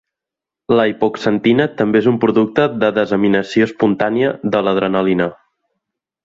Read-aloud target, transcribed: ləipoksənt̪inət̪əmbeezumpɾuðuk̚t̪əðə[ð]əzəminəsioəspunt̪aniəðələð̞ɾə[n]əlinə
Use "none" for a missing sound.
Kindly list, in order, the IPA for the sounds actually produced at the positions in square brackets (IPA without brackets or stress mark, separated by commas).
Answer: ð, n